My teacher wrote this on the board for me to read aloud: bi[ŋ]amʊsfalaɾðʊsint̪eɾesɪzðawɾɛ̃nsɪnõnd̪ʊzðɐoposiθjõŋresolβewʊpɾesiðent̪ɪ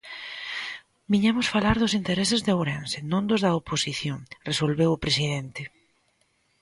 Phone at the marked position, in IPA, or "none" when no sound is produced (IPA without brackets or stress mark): ɲ